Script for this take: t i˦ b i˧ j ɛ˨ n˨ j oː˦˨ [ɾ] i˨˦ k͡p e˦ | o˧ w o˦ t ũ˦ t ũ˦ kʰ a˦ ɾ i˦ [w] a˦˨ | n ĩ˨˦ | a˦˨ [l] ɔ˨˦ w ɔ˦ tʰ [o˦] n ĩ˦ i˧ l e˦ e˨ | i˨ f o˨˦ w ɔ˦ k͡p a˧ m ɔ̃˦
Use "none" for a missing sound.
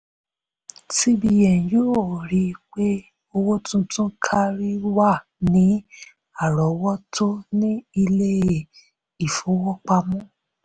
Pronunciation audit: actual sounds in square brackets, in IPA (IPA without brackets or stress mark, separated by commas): ɾ, w, ɾ, o˦